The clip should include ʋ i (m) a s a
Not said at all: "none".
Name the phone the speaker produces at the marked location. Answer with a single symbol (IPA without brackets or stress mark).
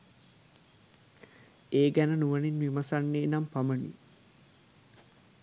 m